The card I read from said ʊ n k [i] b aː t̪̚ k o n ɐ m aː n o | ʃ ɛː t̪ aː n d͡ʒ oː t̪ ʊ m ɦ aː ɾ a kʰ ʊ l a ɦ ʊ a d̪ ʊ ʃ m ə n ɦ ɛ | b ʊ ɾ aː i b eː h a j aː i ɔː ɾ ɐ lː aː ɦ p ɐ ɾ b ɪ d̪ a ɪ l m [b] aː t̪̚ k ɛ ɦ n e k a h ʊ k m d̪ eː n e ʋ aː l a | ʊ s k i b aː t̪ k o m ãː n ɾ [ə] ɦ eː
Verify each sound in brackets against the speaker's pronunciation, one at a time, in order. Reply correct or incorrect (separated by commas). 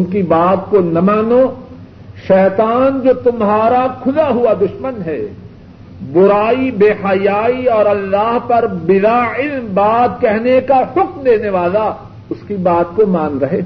correct, correct, incorrect